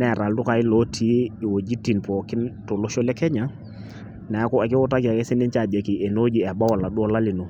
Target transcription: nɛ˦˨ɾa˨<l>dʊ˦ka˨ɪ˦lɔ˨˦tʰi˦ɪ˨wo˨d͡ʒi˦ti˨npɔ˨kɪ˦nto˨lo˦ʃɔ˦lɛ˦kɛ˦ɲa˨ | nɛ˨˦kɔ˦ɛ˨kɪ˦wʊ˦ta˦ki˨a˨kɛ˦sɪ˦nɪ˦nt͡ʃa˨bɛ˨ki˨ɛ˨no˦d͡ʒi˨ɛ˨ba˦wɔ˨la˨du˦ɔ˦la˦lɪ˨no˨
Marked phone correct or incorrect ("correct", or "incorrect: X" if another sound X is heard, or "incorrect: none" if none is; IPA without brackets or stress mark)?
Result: correct